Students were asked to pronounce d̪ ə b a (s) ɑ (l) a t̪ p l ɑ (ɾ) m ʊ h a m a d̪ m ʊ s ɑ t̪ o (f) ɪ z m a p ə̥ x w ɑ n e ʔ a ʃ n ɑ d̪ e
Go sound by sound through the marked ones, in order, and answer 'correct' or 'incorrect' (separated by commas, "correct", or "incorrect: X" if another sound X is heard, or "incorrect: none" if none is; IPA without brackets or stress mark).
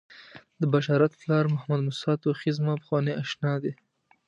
incorrect: ʃ, incorrect: ɾ, correct, incorrect: x